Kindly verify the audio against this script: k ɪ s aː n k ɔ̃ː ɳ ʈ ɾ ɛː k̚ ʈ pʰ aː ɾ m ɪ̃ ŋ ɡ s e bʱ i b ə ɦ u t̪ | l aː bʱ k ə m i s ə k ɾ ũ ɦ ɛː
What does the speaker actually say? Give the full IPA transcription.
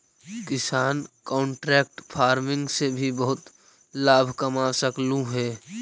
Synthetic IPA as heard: k ɪ s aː n k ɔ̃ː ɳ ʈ ɾ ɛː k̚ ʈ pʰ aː ɾ m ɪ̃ ŋ ɡ s e bʱ i b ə ɦ ʊ t̪ | l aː bʱ k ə m a s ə k l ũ ɦ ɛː